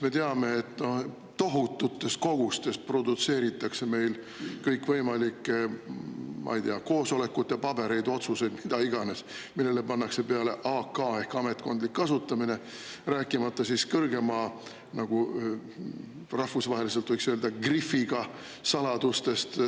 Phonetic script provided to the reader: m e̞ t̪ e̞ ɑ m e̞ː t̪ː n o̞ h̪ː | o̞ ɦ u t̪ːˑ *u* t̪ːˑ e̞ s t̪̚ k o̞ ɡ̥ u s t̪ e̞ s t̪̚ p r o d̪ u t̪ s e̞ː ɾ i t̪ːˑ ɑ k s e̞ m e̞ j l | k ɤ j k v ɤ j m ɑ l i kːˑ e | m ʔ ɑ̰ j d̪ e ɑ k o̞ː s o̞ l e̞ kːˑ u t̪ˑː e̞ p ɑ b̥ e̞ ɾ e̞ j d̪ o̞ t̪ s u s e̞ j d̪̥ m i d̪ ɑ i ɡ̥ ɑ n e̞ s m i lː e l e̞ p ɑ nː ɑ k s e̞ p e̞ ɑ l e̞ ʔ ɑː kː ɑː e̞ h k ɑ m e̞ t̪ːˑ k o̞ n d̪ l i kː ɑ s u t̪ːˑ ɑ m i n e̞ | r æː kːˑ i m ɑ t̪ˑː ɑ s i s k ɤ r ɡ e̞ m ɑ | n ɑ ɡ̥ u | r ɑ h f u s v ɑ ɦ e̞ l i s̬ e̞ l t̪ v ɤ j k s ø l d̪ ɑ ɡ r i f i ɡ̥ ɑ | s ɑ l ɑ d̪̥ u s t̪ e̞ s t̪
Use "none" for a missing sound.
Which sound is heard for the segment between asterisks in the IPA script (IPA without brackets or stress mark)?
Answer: u